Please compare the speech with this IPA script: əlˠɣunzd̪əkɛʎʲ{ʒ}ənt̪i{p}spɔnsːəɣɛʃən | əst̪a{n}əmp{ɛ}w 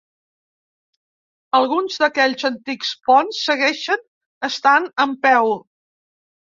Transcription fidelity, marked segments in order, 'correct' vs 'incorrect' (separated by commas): incorrect, incorrect, correct, correct